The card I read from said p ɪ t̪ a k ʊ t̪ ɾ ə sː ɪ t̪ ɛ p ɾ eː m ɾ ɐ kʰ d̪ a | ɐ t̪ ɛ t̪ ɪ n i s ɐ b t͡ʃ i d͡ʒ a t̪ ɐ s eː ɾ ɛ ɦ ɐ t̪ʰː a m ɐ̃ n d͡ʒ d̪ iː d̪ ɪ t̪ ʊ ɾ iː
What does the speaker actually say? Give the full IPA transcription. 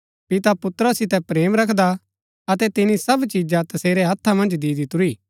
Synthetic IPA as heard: p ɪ t̪ a p ʊ t̪ ɾ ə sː ɪ t̪ ɛ p ɾ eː m ɾ ɐ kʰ d̪ a | ɐ t̪ ɛ t̪ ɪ n i s ɐ b t͡ʃ i d͡ʒ a t̪ ɐ s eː ɾ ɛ ɦ ɐ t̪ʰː a m ɐ̃ n d͡ʒ d̪ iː d̪ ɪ t̪ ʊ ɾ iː

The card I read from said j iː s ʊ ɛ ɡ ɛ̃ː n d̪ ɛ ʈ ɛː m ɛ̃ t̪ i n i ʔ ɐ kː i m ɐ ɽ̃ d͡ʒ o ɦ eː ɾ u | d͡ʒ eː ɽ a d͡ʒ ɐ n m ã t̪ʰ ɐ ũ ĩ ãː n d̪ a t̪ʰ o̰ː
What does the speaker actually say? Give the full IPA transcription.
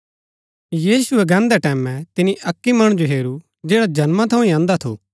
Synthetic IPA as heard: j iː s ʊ ɛ ɡ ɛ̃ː n d̪ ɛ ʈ ɛː m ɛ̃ t̪ ɪ n i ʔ ɐ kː i m ɐ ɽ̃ d͡ʒ o ɦ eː ɾ u | d͡ʒ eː ɽ a d͡ʒ ɐ n m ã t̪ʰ ɐ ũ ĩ ãː n d̪ a t̪ʰ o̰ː

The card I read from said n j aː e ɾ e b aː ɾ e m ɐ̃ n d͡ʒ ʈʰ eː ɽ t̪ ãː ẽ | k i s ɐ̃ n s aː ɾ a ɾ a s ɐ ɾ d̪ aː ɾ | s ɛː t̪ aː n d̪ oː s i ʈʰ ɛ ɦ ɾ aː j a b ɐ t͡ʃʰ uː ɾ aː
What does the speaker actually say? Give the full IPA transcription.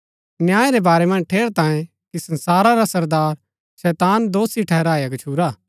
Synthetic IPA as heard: n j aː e ɾ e b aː ɾ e m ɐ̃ n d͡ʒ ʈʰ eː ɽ t̪ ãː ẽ | k i s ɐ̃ n s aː ɾ a ɾ a s ɐ ɾ d̪ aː ɾ | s ɛː t̪ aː n d̪ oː s i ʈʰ ɛ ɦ ɾ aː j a ɡ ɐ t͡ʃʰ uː ɾ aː

